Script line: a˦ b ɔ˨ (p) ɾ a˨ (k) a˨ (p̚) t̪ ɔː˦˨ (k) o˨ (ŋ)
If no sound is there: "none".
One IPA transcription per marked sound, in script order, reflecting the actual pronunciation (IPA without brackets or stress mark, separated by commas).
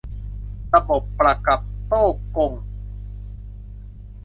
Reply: p, k, p̚, k, ŋ